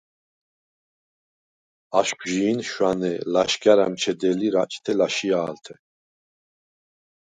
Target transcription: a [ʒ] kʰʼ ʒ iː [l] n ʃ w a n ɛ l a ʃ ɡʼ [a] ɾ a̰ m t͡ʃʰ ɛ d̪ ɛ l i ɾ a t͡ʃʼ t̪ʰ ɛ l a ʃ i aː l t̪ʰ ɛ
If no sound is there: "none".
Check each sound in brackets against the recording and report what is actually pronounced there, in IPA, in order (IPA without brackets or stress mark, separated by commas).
ʃ, none, a